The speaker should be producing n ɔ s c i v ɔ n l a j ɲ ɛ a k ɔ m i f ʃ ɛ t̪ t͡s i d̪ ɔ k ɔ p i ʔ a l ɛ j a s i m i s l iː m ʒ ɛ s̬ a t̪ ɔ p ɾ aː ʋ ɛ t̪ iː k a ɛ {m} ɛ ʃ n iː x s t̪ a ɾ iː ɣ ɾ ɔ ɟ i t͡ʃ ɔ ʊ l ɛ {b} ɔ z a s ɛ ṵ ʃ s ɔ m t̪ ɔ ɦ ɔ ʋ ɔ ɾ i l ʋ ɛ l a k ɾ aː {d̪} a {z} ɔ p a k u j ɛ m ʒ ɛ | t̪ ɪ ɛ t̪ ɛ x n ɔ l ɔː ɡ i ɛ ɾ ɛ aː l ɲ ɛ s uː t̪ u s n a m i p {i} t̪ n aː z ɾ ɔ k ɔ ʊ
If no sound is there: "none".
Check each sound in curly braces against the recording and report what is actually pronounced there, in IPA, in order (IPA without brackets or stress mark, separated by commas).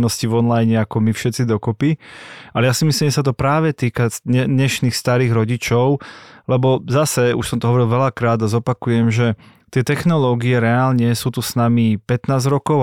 ɲ, b, d̪, z, ɛ